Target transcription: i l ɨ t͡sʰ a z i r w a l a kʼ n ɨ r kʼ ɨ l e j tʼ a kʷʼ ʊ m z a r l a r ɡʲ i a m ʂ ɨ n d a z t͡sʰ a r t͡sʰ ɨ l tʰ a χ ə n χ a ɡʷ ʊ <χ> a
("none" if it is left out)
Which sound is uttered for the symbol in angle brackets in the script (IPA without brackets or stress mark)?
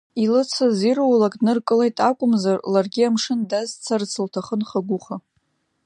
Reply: χ